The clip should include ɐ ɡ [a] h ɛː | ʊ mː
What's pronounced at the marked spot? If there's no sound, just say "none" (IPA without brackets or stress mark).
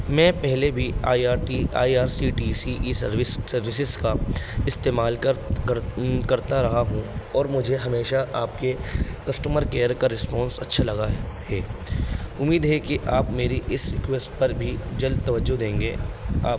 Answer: a